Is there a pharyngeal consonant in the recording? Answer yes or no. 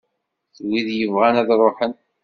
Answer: yes